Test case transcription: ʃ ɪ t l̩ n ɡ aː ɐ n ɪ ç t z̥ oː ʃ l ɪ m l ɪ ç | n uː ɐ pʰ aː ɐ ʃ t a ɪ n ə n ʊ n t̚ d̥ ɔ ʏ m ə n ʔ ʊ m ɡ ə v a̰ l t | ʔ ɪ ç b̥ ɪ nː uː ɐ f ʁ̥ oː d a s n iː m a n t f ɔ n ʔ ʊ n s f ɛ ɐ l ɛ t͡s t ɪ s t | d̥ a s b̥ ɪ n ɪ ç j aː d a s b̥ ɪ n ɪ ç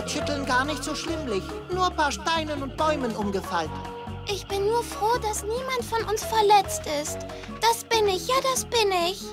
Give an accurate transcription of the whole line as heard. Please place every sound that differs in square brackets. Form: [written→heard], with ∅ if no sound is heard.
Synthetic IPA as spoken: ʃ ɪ t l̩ n ɡ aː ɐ n ɪ ç t z̥ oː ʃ l ɪ m l ɪ ç | n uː ɐ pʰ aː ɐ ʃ t a ɪ n ə n ʊ n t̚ [d̥→b̥] ɔ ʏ m ə n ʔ ʊ m ɡ ə [v→f] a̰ l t | ʔ ɪ ç b̥ ɪ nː uː ɐ f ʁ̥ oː d a s n iː m a n t f ɔ n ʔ ʊ n s f ɛ ɐ l ɛ t͡s t ɪ s t | d̥ a s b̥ ɪ n ɪ ç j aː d a s b̥ ɪ n ɪ ç